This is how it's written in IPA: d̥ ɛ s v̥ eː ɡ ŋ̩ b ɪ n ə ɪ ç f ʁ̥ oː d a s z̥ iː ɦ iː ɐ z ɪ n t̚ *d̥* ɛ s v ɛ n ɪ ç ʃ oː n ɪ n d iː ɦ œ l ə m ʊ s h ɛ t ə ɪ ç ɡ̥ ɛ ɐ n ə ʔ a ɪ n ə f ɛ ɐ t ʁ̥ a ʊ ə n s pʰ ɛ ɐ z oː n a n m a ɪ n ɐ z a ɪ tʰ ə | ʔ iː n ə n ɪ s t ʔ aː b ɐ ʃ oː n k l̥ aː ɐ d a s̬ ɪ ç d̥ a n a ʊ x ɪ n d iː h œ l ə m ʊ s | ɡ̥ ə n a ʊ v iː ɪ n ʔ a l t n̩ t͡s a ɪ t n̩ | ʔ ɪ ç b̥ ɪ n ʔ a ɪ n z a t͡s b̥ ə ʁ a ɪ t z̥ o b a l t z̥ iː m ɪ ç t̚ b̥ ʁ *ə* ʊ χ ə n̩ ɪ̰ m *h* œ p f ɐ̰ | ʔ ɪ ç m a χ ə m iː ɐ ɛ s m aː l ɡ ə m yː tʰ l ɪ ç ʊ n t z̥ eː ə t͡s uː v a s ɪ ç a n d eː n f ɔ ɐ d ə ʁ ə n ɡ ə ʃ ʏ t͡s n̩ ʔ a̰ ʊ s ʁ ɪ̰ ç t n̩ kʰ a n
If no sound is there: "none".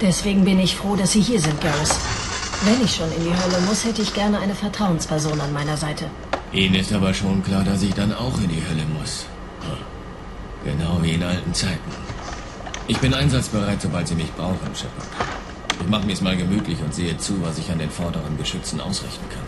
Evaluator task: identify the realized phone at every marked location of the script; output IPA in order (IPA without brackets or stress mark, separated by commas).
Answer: ɡ̥, a, ʃ